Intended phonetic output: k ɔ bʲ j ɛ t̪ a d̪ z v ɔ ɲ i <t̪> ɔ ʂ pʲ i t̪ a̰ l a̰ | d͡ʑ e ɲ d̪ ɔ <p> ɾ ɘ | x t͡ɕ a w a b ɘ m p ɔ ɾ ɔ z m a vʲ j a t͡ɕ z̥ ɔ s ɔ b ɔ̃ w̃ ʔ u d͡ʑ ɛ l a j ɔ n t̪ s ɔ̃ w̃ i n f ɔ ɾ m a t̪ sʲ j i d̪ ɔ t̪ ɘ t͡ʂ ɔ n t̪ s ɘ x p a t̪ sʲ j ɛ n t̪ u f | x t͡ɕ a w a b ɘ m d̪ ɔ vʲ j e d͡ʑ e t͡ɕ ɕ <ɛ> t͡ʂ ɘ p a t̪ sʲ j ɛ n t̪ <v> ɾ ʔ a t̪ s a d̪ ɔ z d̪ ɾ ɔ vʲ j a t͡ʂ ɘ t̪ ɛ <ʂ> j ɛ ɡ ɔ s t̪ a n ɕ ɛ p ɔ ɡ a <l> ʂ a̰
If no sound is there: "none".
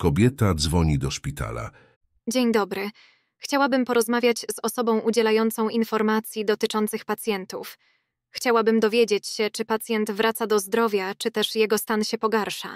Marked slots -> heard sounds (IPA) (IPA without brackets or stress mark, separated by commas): d̪, b, ɛ, v, ʂ, ɾ